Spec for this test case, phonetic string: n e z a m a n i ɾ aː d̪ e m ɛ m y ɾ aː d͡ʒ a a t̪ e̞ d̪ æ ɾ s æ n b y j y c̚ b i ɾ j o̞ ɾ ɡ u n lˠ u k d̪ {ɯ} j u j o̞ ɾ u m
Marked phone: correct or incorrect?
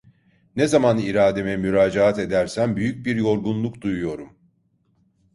incorrect